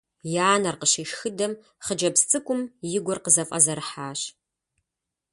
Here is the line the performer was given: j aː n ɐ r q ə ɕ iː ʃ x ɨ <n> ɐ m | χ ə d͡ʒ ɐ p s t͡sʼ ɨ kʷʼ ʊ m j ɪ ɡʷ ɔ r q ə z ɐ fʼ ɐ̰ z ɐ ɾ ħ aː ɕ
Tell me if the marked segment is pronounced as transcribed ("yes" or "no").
no